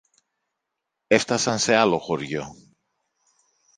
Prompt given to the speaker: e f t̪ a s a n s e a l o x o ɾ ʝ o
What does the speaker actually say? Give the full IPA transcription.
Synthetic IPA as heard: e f t̪ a s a n s e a l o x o ɾ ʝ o